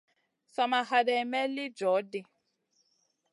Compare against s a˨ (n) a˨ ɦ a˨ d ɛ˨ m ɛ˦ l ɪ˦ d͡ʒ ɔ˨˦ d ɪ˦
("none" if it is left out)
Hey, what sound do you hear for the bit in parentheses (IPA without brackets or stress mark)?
m